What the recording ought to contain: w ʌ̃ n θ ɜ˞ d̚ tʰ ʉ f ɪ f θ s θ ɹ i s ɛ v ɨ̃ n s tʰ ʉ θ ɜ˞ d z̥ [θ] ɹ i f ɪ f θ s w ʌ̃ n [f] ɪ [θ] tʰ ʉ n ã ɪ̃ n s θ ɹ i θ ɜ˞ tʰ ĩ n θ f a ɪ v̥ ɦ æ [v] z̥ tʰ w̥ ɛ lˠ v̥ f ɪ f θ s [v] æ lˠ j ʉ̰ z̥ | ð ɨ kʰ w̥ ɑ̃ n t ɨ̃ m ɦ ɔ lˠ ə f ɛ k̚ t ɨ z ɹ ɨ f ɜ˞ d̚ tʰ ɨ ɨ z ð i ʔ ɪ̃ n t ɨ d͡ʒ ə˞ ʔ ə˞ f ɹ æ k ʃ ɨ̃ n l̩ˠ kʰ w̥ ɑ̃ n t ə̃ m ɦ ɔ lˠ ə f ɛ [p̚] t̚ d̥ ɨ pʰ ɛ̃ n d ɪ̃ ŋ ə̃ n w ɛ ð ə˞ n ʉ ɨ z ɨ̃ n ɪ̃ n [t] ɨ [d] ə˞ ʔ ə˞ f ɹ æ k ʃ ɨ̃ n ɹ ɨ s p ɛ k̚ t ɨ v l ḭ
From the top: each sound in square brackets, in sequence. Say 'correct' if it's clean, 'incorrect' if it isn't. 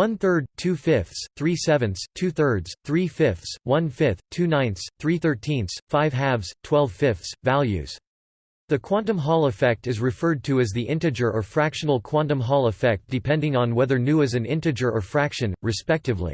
correct, correct, correct, correct, correct, incorrect: k̚, correct, incorrect: d͡ʒ

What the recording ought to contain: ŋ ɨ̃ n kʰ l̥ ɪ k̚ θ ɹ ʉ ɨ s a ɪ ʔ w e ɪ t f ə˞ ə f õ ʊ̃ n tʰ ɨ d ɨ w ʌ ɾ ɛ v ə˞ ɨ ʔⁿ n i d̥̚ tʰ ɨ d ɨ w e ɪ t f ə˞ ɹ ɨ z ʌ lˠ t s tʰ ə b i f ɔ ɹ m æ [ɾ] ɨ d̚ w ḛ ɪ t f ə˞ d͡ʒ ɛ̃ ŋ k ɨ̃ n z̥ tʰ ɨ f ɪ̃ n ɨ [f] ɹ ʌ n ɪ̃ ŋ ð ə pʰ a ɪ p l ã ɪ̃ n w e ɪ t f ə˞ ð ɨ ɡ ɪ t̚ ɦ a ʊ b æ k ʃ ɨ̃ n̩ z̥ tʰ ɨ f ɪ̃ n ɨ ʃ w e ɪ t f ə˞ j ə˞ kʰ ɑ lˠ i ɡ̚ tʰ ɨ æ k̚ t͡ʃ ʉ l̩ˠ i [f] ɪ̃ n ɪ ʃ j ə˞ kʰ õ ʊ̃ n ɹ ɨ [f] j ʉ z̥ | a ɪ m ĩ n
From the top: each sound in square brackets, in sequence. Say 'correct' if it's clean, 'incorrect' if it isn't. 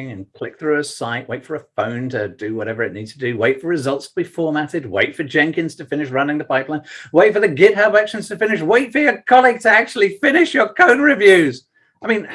correct, incorrect: ʃ, correct, incorrect: v

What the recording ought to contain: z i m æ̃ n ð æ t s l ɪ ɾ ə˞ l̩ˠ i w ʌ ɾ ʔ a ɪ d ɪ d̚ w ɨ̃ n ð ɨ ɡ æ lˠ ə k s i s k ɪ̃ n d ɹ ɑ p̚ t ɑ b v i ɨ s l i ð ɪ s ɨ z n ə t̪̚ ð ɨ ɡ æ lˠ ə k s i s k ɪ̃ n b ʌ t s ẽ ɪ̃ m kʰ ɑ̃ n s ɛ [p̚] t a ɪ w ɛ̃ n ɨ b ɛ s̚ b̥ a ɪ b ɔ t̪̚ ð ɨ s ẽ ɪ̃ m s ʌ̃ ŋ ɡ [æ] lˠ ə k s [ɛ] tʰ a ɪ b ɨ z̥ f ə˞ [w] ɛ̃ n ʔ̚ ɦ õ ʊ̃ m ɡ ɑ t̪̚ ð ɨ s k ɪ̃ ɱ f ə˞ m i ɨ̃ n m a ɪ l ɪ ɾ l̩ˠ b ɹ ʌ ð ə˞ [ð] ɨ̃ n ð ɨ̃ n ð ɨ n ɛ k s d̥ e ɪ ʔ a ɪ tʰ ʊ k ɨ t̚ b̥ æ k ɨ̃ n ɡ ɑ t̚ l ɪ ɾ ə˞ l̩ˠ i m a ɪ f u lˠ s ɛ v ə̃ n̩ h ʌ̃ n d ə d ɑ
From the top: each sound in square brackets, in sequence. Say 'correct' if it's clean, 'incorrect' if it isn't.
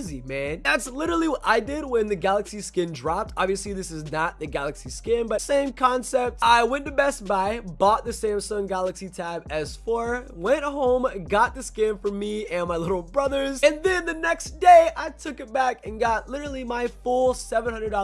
correct, correct, incorrect: i, correct, incorrect: z

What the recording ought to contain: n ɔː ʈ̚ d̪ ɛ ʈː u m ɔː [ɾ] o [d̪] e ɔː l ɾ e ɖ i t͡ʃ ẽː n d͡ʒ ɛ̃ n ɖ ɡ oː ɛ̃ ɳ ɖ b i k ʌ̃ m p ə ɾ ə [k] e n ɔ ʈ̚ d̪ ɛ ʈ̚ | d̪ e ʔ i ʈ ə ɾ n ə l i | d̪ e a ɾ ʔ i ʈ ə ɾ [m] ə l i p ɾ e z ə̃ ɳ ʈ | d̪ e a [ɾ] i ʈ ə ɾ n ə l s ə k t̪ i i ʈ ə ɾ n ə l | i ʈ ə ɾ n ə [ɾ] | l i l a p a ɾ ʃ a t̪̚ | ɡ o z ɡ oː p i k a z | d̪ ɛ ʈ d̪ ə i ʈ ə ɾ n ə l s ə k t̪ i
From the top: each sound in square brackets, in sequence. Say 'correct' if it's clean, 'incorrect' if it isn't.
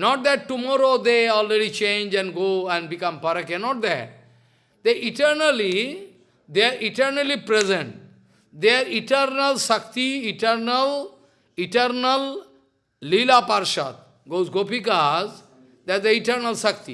correct, correct, correct, incorrect: n, correct, incorrect: l

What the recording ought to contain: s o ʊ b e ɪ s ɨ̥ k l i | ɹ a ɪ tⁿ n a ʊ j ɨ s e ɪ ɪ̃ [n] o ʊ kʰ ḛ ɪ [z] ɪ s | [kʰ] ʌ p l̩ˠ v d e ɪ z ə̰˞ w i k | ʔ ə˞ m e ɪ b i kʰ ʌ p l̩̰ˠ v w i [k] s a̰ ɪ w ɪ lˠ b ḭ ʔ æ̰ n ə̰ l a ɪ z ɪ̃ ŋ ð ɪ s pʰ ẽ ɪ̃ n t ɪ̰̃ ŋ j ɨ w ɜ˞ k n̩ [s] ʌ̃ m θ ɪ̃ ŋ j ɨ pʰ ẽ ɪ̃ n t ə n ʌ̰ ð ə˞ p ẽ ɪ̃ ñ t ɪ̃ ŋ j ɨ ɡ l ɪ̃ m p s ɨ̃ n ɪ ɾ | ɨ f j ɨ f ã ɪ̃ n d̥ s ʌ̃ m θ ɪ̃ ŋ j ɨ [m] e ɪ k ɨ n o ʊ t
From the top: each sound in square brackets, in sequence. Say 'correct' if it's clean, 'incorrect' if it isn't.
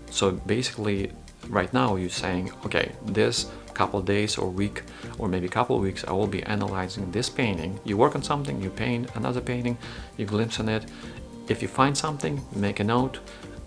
incorrect: ŋ, incorrect: ð, correct, correct, correct, correct

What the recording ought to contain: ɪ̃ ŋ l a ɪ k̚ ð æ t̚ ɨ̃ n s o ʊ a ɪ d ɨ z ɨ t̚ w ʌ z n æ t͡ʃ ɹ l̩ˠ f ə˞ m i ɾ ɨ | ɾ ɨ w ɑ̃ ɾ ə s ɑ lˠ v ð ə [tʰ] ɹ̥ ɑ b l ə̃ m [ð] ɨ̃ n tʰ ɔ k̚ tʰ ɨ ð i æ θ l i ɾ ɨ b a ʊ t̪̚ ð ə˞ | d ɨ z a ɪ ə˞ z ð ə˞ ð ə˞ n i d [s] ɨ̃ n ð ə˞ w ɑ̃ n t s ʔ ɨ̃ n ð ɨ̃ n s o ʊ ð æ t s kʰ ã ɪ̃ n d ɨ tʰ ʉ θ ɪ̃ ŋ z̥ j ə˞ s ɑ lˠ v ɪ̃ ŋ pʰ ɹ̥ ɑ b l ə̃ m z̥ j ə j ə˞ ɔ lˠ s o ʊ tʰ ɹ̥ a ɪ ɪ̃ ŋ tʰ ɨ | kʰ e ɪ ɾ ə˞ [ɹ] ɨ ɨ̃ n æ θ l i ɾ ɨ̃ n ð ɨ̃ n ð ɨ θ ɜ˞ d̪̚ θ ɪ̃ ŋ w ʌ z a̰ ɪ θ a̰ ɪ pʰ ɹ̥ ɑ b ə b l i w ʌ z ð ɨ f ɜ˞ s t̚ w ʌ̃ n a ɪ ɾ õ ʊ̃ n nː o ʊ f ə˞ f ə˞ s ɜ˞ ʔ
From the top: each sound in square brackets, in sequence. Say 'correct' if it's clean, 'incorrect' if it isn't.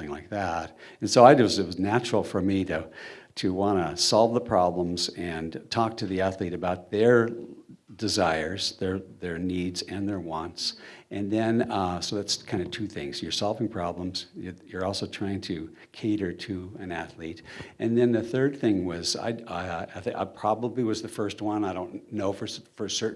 incorrect: pʰ, incorrect: z, incorrect: z, incorrect: ɾ

